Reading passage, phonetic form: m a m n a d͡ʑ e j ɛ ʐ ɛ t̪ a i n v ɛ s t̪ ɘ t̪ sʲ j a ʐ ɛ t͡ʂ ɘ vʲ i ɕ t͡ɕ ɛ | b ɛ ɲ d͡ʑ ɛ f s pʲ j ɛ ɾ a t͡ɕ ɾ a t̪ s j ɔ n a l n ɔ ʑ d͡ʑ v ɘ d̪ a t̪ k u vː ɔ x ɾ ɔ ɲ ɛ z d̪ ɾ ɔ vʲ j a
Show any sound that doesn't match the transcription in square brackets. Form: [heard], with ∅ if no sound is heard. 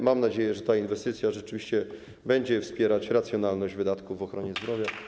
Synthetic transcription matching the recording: m a m n a d͡ʑ e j ɛ ʐ ɛ t̪ a i n v ɛ s t̪ ɘ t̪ sʲ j a ʐ ɛ t͡ʂ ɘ vʲ i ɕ t͡ɕ ɛ | b ɛ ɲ d͡ʑ ɛ f s pʲ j ɛ ɾ a t͡ɕ ɾ a t̪ s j ɔ n a l n ɔ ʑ d͡ʑ v ɘ d̪ a t̪ k u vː ɔ x ɾ ɔ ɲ ɛ z d̪ ɾ ɔ vʲ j a